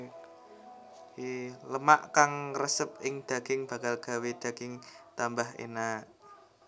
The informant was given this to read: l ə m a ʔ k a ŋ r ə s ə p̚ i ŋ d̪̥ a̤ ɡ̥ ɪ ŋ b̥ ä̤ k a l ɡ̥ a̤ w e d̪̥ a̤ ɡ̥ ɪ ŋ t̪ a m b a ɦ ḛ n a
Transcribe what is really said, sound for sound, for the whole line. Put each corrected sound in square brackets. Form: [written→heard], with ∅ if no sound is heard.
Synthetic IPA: l ə m a ʔ k a ŋ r ə s ə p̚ [i→ɪ] ŋ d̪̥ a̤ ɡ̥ ɪ ŋ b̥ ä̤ k a l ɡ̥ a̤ w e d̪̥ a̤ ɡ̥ ɪ ŋ t̪ a m b a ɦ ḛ n a